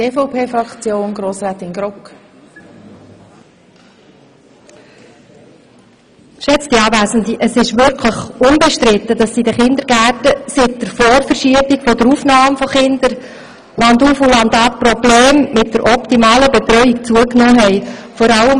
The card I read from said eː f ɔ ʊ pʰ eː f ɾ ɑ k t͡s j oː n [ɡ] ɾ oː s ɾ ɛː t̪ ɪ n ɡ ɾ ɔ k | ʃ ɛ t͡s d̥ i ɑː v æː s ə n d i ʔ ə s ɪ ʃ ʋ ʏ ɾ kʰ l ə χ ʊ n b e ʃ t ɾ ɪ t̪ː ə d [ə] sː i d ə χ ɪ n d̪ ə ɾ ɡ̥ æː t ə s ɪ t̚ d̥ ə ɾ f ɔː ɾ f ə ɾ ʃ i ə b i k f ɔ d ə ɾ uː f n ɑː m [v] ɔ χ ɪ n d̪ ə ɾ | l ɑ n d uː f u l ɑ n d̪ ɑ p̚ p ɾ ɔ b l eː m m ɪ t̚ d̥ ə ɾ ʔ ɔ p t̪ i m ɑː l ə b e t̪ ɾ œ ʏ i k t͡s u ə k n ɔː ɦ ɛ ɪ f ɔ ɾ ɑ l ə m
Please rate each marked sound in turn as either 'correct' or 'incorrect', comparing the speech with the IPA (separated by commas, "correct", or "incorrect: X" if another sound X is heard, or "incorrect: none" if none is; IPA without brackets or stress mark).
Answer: correct, incorrect: ɑ, incorrect: f